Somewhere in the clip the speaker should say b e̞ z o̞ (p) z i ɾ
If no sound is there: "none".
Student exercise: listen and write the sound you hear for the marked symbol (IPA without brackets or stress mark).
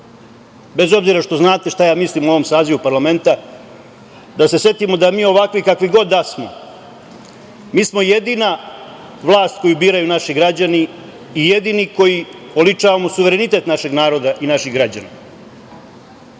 b